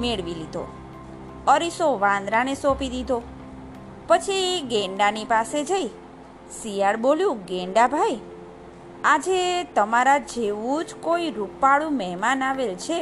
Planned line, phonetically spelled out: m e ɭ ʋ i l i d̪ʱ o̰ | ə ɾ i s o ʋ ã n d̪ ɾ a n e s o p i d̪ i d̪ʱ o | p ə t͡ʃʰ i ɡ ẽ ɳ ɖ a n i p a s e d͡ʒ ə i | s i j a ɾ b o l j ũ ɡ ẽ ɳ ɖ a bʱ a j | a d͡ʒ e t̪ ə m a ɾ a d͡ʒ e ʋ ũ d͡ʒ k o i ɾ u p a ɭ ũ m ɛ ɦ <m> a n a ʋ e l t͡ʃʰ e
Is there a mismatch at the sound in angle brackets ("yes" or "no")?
no